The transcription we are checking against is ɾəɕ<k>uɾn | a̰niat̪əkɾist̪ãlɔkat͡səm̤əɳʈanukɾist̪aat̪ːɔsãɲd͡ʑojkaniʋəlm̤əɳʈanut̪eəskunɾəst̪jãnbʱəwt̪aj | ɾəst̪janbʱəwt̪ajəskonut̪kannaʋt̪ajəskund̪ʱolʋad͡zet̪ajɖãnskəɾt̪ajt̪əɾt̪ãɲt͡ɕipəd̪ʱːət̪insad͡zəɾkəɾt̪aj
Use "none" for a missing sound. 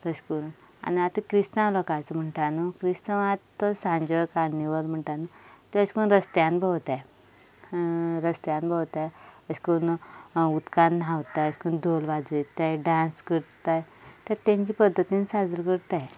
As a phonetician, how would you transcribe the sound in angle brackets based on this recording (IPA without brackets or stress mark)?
k